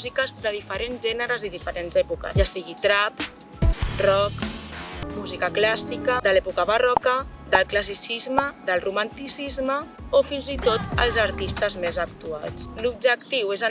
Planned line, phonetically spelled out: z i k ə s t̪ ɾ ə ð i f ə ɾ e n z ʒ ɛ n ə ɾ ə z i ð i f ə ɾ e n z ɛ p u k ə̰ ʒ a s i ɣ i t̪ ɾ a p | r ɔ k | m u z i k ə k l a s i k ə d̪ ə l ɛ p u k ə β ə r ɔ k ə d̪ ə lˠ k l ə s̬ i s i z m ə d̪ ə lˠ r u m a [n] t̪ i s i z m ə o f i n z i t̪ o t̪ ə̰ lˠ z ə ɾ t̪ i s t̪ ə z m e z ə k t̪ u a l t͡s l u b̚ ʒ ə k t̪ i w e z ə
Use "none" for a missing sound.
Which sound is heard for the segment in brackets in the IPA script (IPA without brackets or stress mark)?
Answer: n